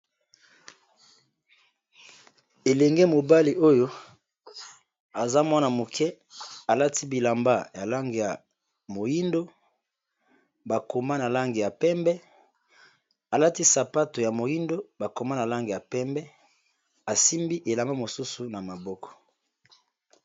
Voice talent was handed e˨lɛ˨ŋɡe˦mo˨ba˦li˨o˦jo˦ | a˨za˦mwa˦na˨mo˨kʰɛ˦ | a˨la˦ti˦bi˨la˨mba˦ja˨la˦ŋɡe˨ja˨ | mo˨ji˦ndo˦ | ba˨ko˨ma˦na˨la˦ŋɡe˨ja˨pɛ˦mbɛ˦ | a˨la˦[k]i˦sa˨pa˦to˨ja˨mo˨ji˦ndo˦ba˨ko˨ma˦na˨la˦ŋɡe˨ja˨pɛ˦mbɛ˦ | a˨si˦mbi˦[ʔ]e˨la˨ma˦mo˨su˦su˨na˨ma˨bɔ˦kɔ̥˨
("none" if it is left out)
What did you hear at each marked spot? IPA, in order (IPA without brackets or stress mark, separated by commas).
t, ʔ